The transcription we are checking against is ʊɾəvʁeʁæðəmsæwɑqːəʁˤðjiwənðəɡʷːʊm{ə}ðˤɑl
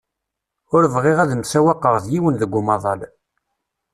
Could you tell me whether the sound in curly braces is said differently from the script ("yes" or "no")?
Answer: yes